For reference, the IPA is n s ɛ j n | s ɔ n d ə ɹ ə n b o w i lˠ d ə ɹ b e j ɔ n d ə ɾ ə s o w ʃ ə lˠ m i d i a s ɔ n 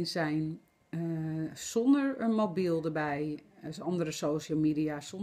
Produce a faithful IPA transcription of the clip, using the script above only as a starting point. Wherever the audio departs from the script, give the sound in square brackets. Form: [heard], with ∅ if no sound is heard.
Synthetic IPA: n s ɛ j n | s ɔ n d ə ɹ ə n [m] o [b] i lˠ d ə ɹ b [ɛ] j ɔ n d ə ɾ ə s o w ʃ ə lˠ m i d i a s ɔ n